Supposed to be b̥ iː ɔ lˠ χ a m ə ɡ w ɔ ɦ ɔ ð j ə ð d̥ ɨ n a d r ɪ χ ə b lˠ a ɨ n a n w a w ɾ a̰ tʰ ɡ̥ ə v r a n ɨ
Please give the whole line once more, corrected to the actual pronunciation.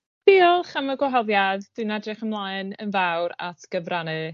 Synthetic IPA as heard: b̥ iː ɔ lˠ χ a m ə ɡ w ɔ ɦ ɔ ð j a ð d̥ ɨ n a d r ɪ χ ə m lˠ a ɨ n ə n v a w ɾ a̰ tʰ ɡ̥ ə v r a n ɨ